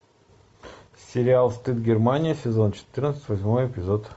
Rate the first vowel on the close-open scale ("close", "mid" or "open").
close